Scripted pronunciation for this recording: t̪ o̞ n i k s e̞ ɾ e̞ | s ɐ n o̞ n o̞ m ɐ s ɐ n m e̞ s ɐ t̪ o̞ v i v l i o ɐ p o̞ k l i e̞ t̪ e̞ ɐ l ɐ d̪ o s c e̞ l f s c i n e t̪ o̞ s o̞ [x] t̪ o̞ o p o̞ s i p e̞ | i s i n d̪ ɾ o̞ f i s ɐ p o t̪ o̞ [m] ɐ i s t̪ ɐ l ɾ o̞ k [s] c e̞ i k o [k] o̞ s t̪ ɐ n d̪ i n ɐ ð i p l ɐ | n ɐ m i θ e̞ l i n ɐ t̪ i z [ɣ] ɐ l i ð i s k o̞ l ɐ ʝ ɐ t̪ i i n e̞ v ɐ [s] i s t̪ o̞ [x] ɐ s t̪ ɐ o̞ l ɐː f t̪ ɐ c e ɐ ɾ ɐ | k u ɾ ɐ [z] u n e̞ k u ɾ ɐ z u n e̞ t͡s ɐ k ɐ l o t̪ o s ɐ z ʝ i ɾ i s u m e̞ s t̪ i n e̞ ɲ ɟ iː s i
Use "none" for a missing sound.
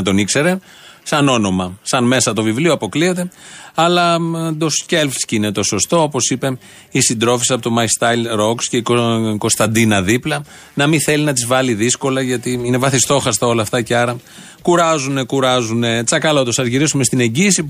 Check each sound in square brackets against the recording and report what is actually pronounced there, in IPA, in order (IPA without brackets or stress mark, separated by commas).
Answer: s, m, s, k, v, θ, x, z